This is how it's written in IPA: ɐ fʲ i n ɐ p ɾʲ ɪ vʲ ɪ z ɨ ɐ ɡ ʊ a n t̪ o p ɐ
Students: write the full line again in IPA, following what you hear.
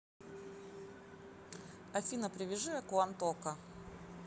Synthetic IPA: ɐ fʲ i n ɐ p ɾʲ ɪ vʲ ɪ ʐ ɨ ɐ k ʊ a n t̪ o k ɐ

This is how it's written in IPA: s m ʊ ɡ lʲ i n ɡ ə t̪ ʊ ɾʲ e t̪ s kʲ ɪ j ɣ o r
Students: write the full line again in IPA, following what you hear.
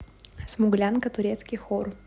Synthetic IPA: s m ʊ ɡ lʲ a n k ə t̪ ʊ ɾʲ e t̪ s kʲ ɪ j x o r

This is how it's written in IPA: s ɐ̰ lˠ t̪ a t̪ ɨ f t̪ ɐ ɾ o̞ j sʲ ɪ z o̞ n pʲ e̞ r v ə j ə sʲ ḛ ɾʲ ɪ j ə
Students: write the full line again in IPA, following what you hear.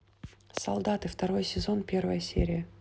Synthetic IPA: s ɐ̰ lˠ d̪ a t̪ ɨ f t̪ ɐ ɾ o̞ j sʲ ɪ z o̞ n pʲ e̞ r v ə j ə sʲ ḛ ɾʲ ɪ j ə

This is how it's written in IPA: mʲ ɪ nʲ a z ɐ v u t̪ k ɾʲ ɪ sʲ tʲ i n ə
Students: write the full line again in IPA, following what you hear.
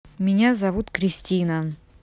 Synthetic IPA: mʲ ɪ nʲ a z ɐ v u t̪ k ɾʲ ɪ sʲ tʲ i n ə

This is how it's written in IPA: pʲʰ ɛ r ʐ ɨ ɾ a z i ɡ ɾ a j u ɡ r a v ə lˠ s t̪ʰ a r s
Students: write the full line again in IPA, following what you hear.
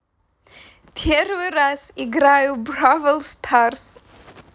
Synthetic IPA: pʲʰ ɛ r v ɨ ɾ a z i ɡ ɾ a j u b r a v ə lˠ s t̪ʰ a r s

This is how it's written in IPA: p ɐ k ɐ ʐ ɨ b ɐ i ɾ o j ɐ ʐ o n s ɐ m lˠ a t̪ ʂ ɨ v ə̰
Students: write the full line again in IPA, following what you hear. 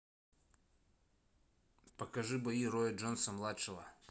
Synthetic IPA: p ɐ k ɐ ʐ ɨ b ɐ i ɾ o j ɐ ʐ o n s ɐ m lˠ a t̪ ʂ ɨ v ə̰

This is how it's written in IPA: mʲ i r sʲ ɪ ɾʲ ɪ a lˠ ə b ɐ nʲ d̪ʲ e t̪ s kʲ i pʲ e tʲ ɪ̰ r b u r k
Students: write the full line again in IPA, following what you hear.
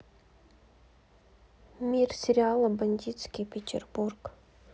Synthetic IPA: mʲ i r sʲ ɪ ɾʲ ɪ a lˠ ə b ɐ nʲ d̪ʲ i t̪ s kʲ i pʲ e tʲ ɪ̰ r b u r k

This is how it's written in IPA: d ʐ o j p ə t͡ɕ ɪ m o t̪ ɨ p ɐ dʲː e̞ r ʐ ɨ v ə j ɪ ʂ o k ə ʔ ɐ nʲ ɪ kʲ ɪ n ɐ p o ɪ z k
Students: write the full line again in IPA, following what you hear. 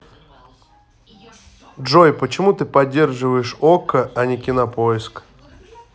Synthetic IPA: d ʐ o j p ə t͡ɕ ɪ m u t̪ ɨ p ɐ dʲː e̞ r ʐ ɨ v ə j ɪ ʂ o k ə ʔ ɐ nʲ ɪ kʲ ɪ n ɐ p o ɪ s k

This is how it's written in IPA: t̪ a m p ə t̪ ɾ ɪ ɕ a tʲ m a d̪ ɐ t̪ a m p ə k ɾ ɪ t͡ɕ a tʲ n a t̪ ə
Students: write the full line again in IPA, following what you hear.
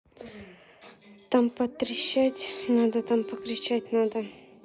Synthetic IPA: t̪ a m p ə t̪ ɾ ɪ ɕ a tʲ n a d̪ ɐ t̪ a m p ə k ɾ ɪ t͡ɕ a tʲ n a d̪ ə

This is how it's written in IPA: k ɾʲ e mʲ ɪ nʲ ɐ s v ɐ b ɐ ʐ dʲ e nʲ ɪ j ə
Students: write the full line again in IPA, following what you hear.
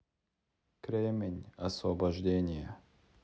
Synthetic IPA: k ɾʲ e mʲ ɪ nʲ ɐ s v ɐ b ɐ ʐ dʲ e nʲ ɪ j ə

